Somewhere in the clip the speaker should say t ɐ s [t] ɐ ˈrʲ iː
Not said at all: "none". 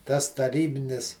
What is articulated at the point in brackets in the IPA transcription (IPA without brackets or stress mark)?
t